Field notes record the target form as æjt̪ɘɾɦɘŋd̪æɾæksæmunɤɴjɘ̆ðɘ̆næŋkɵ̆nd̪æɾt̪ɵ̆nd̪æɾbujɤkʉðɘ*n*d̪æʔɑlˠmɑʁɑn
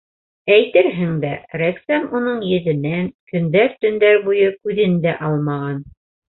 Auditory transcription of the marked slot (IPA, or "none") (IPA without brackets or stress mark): n